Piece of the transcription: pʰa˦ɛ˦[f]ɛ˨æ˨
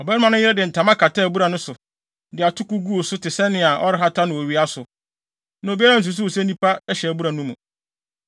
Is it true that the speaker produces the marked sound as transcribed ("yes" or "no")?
no